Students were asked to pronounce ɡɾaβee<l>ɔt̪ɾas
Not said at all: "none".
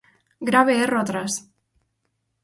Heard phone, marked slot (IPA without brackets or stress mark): r